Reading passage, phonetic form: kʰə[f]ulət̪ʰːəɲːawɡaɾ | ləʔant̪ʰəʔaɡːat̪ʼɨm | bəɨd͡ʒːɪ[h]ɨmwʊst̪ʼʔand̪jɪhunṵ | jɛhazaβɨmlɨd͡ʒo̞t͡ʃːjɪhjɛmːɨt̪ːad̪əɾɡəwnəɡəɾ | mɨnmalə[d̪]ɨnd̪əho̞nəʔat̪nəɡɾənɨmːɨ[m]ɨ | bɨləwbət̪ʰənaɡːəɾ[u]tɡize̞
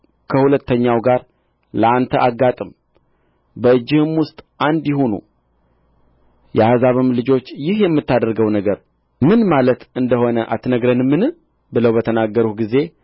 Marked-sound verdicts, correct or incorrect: incorrect: h, correct, incorrect: t̪, incorrect: n, correct

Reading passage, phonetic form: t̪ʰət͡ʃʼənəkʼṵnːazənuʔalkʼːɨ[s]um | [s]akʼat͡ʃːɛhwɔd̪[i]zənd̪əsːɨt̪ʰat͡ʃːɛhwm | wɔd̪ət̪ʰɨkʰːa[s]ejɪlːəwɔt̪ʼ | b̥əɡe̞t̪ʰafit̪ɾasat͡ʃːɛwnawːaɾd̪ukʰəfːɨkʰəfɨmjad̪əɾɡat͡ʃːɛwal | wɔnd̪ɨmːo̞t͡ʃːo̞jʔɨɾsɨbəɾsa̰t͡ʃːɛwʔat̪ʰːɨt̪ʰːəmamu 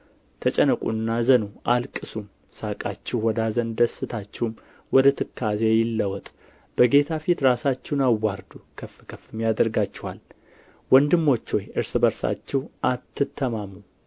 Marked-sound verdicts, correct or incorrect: correct, correct, incorrect: a, incorrect: z

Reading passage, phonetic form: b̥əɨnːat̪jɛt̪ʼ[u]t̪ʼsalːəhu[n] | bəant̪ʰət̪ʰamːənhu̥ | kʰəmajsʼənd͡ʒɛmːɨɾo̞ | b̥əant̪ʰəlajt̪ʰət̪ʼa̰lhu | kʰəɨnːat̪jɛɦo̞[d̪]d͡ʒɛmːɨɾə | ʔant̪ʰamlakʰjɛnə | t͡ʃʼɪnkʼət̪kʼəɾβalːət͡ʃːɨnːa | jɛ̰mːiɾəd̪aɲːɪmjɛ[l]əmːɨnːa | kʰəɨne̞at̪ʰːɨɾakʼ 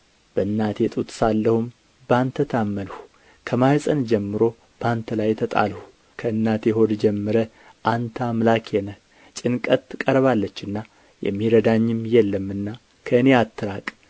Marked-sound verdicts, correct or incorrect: correct, incorrect: m, correct, incorrect: lː

